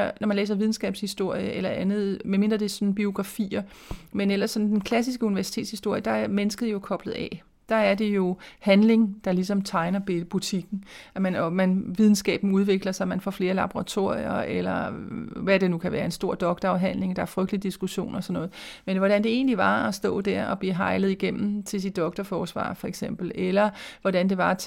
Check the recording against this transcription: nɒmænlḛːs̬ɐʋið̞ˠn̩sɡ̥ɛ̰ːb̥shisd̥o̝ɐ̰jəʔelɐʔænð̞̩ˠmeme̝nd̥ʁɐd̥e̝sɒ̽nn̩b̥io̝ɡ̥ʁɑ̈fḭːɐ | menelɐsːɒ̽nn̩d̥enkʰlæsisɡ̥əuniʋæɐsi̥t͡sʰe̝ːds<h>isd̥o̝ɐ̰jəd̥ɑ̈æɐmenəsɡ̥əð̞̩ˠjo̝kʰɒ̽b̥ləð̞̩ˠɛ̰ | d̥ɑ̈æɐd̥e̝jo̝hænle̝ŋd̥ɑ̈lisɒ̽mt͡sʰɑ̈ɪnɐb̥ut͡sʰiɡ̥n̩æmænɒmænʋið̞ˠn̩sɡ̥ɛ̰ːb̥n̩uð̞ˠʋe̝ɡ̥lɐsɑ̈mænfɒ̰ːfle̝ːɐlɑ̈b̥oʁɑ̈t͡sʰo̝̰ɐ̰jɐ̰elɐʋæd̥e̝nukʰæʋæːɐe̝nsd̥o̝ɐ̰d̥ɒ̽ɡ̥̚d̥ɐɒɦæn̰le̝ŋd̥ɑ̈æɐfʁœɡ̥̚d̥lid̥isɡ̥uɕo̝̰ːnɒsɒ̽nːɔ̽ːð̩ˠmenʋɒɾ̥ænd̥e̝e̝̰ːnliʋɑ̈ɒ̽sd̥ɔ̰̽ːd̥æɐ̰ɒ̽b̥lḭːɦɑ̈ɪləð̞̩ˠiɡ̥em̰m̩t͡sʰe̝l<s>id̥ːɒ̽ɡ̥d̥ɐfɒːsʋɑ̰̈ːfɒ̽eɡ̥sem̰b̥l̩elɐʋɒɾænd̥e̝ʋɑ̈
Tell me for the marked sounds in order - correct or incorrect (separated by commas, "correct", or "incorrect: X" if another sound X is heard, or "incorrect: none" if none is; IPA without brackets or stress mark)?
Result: correct, correct